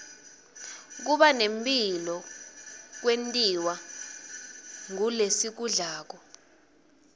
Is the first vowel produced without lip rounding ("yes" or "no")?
no